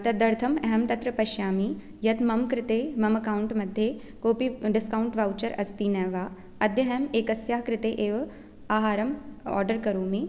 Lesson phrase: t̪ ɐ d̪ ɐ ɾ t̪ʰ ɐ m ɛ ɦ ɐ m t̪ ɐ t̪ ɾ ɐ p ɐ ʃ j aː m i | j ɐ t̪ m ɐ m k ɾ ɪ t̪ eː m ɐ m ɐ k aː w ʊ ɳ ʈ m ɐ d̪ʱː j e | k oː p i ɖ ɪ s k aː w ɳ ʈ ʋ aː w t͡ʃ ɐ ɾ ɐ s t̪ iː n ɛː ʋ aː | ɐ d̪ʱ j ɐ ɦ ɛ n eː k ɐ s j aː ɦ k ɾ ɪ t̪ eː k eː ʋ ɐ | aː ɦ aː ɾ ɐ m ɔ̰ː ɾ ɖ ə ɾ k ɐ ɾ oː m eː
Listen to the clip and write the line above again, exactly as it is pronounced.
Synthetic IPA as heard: t̪ ɐ d̪ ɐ ɾ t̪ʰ ɐ m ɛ ɦ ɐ m t̪ ɐ t̪ ɾ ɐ p ɐ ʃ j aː m i | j ɐ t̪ m ɐ m k ɾ ɪ t̪ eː m ɐ m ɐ k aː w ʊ ɳ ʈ m ɐ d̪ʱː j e | k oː p i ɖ ɪ s k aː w ɳ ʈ ʋ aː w t͡ʃ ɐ ɾ ɐ s t̪ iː n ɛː ʋ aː | ɐ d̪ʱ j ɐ ɦ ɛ m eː k ɐ s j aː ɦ k ɾ ɪ t̪ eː ʔ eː ʋ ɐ | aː ɦ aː ɾ ɐ m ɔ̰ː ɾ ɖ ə ɾ k ɐ ɾ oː m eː